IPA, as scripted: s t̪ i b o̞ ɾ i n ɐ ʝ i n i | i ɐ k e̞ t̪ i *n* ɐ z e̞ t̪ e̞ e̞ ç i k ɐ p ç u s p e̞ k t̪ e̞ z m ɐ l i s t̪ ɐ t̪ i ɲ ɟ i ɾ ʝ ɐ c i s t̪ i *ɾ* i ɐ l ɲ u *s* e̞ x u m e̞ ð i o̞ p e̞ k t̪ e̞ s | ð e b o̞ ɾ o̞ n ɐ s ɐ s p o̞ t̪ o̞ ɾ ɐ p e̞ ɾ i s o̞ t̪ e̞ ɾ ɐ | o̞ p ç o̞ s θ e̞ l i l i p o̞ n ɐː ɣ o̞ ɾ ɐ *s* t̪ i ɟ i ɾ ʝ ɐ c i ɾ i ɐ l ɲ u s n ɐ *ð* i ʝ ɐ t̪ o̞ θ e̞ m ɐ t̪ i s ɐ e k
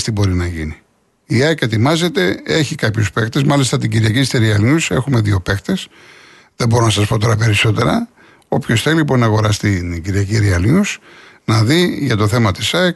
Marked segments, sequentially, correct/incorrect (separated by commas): incorrect, correct, correct, correct, correct